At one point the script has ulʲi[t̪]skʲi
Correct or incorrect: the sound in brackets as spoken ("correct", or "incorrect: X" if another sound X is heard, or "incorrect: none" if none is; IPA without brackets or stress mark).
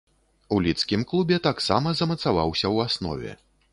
correct